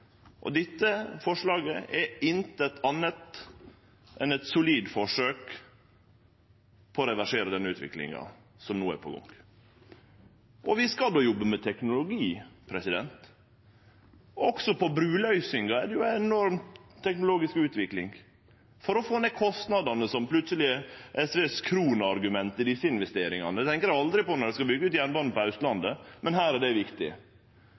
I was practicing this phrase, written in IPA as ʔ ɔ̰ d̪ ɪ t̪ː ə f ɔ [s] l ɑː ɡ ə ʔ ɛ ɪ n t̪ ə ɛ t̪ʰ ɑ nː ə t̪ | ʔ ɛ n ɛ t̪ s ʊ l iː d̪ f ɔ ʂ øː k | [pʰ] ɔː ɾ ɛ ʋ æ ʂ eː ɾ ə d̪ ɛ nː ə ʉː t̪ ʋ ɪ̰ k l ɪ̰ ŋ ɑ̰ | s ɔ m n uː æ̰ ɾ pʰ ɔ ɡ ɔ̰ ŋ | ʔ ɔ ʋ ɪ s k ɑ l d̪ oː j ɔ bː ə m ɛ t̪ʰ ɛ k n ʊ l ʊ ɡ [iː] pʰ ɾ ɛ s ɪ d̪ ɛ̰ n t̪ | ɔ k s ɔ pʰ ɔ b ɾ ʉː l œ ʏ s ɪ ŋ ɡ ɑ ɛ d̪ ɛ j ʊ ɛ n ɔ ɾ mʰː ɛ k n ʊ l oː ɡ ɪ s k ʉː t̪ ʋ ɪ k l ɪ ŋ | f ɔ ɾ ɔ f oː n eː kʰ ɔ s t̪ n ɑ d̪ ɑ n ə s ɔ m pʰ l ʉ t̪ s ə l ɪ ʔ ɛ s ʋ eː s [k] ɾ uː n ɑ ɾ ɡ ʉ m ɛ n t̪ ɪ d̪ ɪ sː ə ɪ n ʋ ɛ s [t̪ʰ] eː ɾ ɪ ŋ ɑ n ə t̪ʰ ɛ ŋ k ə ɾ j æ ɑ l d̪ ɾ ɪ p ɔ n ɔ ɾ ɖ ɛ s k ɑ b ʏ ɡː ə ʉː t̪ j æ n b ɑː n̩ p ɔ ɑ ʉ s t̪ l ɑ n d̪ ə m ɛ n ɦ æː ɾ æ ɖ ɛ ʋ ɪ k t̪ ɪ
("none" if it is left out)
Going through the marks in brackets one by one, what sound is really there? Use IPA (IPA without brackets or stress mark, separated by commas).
ʂ, pʰ, iː, kʰ, t̪